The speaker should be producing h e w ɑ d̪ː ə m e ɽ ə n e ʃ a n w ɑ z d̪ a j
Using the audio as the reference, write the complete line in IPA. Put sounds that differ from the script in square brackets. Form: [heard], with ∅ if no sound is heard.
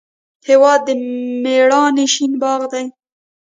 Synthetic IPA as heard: h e w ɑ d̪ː ə m e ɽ [ɑ] n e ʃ [i] n [b] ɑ [ɣ] d̪ a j